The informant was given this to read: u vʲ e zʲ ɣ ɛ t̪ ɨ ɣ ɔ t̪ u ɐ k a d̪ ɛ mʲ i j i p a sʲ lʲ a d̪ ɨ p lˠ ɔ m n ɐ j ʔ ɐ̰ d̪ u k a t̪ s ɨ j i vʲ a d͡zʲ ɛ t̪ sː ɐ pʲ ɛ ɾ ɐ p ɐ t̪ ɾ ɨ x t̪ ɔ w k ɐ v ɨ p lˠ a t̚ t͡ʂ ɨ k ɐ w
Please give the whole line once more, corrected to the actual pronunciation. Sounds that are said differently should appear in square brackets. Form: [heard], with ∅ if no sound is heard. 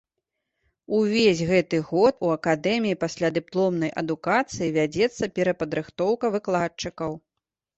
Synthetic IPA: u vʲ e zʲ ɣ ɛ t̪ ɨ ɣ ɔ t̪ u ɐ k a d̪ ɛ mʲ i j i p a sʲ lʲ a d̪ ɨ p lˠ ɔ m n ɐ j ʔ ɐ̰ d̪ u k a t̪ s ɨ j i vʲ a d͡zʲ ɛ t̪ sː ɐ pʲ ɛ ɾ ɐ p ɐ [d̪] ɾ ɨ x t̪ ɔ w k ɐ v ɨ [k] lˠ a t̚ t͡ʂ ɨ k ɐ w